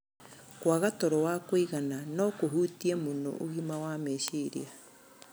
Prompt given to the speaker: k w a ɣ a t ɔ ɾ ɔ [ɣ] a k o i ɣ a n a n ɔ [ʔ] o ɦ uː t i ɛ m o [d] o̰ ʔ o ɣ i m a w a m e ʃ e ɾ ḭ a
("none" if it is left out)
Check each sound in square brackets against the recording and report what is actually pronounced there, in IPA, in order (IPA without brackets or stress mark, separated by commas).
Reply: w, k, n